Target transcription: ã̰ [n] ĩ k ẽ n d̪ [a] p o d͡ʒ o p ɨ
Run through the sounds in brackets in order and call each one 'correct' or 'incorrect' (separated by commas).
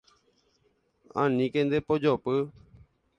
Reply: correct, incorrect